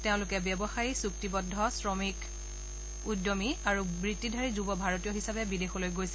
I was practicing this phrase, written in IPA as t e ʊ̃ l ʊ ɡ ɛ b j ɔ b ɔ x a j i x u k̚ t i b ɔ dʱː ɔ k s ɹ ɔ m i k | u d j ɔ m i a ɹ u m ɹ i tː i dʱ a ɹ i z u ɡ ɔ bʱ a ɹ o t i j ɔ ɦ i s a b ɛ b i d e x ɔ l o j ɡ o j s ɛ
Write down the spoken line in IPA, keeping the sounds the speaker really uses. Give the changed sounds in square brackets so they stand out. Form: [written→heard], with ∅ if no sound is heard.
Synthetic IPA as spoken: t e ʊ̃ l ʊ [ɡ→k] ɛ b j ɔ b ɔ x a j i [x→s] u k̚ t i b ɔ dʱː ɔ [k→∅] s ɹ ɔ m i k | u d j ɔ m i a ɹ u [m→b] ɹ i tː i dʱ a ɹ i z u [ɡ→b] ɔ bʱ a ɹ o t i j ɔ ɦ i s a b ɛ b i d e x ɔ l o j ɡ o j s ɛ